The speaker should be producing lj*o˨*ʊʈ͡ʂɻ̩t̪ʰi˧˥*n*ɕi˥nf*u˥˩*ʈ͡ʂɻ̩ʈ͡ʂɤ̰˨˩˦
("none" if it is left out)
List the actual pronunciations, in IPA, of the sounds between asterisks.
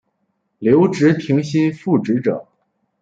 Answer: o˧˥, ŋ, u˥˩

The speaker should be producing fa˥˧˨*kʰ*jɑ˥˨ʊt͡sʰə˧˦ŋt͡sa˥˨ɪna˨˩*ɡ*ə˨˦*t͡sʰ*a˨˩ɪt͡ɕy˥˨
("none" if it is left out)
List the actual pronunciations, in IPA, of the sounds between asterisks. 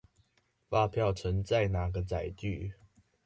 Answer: pʰ, ɡ, t͡s

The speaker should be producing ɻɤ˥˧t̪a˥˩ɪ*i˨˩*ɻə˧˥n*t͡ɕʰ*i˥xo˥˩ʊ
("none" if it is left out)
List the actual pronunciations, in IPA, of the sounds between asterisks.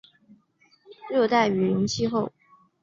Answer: y˨˩, t͡ɕʰ

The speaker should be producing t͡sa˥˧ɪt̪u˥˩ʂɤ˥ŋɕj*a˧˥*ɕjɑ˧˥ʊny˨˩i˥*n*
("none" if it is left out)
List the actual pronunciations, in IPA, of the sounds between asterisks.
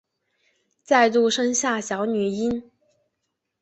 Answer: a˥˩, n

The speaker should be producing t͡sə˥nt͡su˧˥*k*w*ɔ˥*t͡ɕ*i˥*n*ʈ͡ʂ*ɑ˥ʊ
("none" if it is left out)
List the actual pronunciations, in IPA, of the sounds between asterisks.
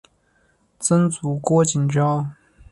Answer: k, ɔ˥, i˨˩, ʈ͡ʂ

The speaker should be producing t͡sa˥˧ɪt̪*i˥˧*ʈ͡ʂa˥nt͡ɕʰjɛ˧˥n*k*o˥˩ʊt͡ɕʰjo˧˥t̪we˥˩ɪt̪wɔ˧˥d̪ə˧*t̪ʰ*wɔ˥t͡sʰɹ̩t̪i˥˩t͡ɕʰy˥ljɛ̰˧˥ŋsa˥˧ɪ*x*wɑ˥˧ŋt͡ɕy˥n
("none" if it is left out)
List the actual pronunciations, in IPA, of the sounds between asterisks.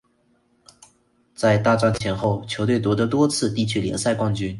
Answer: a˥˧, x, t̪, k

